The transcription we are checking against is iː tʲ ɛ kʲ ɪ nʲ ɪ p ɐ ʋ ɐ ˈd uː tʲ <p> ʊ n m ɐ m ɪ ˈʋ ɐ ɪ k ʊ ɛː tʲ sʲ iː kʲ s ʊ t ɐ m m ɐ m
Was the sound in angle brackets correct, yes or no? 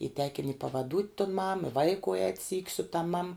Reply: no